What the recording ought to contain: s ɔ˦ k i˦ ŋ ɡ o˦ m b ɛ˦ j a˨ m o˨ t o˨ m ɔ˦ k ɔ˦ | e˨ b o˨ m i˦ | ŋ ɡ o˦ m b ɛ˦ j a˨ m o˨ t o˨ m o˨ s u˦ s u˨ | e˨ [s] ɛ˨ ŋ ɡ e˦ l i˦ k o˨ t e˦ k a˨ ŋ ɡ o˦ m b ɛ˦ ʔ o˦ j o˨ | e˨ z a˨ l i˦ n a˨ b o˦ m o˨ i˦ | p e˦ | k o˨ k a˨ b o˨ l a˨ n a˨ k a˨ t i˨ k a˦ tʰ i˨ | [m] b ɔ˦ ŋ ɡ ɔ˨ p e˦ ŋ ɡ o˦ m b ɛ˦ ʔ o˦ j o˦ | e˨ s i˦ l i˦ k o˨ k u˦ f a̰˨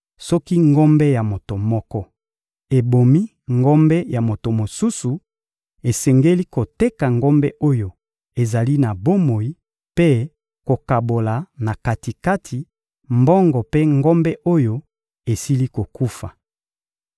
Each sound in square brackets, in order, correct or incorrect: correct, correct

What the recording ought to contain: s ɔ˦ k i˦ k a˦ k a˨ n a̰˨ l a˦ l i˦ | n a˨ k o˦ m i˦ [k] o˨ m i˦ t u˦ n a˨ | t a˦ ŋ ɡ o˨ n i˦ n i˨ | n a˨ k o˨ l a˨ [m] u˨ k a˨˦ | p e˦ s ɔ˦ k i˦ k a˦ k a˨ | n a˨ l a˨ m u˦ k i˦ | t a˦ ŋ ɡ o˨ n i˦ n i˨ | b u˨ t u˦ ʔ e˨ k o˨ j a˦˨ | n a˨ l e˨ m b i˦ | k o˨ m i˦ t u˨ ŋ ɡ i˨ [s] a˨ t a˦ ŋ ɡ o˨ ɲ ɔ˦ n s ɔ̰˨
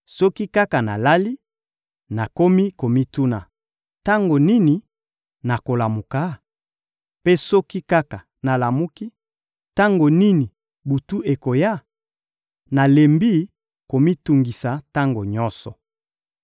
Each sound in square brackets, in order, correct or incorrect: correct, correct, correct

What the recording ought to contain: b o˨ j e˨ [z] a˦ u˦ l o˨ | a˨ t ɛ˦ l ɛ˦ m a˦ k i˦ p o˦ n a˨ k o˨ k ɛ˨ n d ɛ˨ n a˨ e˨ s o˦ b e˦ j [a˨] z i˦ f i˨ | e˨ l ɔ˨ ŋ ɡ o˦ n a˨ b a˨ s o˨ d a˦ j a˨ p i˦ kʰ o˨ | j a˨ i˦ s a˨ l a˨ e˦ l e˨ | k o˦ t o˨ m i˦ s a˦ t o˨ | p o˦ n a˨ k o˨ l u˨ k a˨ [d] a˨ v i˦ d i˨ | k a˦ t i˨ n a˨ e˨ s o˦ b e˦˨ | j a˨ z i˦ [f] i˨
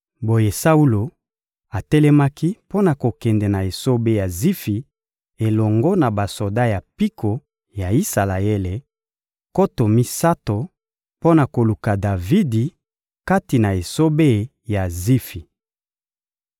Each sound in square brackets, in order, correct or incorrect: incorrect, correct, correct, correct

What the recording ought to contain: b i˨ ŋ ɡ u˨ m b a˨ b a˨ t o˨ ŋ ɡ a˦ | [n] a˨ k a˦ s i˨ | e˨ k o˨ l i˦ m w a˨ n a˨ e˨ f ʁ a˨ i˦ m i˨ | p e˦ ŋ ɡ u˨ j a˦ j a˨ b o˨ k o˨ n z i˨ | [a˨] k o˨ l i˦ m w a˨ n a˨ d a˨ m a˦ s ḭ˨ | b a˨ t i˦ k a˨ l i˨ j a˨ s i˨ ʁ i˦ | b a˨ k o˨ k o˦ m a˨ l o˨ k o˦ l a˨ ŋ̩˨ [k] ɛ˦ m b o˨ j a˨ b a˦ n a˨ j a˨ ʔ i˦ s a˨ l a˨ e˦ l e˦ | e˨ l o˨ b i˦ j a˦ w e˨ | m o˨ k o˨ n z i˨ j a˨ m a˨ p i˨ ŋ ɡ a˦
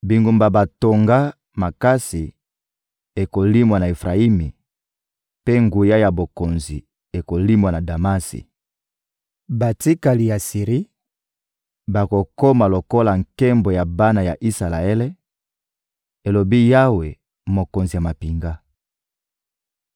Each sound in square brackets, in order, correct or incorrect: incorrect, incorrect, correct

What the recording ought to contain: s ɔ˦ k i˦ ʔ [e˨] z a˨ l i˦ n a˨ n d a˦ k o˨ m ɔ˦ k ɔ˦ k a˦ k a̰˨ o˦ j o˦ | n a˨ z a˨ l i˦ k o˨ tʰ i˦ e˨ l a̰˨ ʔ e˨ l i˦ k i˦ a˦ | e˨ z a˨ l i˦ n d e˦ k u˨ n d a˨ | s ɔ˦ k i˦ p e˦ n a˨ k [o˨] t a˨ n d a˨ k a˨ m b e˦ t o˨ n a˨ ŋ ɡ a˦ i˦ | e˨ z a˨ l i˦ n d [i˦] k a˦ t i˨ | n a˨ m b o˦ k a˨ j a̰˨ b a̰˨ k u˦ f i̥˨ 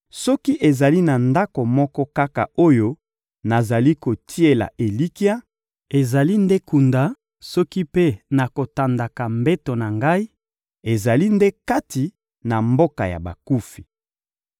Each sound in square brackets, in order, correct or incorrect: correct, correct, incorrect

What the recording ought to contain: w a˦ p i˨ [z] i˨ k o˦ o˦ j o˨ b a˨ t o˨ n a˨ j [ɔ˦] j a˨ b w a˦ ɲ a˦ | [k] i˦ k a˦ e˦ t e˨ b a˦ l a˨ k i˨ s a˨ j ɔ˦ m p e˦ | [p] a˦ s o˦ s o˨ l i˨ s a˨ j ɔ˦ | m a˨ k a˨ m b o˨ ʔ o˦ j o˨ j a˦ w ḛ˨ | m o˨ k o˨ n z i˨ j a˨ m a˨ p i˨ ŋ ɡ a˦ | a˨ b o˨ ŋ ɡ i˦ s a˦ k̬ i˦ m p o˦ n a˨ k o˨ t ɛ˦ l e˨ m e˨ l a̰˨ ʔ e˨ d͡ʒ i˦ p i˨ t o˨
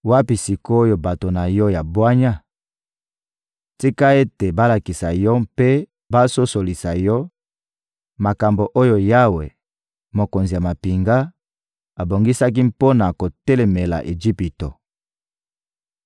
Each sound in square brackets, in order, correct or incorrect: incorrect, correct, incorrect, incorrect

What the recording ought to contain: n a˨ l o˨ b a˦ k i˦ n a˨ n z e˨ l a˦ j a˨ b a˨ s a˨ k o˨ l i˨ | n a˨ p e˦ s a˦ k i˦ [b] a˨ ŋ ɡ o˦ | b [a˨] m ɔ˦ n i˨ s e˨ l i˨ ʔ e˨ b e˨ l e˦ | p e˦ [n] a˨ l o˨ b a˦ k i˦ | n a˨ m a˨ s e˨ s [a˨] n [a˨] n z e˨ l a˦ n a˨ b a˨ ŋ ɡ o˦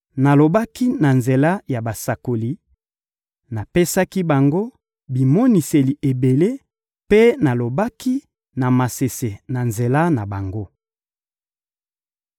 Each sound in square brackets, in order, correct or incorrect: correct, incorrect, correct, incorrect, correct

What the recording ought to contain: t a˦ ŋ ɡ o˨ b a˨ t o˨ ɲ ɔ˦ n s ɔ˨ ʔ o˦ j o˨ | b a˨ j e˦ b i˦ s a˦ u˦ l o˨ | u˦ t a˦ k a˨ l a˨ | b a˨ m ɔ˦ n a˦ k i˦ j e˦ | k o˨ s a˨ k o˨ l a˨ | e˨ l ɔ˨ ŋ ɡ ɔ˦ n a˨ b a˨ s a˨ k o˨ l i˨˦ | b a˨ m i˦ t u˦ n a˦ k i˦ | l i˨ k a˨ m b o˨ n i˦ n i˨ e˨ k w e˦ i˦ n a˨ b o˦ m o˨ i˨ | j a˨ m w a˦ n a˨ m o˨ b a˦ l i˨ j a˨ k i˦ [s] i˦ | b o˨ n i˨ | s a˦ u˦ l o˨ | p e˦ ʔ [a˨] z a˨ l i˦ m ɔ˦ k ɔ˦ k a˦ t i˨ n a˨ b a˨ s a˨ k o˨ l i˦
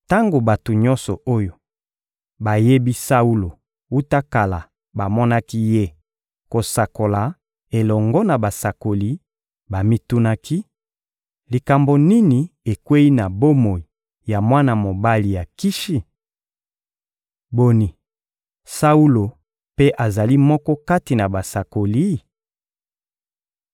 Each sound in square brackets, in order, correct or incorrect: incorrect, correct

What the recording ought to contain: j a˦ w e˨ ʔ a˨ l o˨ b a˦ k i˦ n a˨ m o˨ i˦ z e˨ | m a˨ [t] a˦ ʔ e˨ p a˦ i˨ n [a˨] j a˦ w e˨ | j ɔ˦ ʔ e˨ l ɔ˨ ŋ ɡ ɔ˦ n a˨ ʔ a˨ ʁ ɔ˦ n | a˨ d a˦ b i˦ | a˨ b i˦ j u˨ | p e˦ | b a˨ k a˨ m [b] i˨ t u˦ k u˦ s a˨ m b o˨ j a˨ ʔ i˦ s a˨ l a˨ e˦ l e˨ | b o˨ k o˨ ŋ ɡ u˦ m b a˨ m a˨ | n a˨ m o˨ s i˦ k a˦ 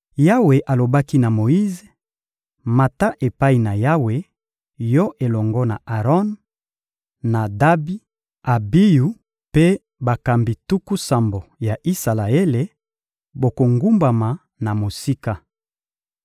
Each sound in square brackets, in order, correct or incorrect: correct, correct, correct

